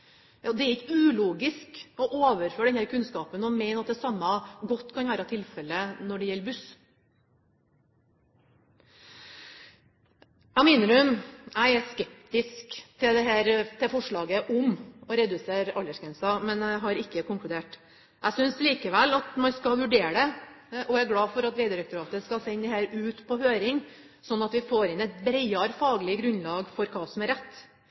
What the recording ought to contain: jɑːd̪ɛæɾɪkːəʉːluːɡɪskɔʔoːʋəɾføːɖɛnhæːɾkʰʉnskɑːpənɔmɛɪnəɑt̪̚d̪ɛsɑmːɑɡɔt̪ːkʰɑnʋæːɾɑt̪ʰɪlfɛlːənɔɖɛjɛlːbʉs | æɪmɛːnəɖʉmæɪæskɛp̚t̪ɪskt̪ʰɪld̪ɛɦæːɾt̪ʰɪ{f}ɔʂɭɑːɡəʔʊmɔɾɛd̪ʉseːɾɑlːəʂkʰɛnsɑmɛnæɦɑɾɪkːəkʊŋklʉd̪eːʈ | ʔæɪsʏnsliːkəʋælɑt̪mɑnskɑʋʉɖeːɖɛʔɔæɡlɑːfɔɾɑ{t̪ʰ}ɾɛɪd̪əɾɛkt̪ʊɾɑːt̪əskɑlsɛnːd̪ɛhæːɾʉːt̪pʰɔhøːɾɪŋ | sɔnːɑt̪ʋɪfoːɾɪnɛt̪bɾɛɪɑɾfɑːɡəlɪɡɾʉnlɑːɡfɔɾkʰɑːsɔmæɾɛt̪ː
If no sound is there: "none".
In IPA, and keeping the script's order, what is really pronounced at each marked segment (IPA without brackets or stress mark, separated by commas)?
f, t̪